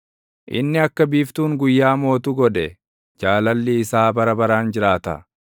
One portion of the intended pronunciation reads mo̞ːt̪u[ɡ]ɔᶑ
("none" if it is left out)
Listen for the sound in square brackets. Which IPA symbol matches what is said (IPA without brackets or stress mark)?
ɡ